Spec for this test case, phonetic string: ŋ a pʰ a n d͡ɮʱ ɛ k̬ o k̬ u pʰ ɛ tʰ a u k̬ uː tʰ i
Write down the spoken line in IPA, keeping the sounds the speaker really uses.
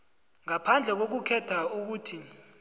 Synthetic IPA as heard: ŋ a pʰ a n d͡ɮʱ ɛ k̬ o k̬ u kʰ ɛ tʰ a u k̬ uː tʰ i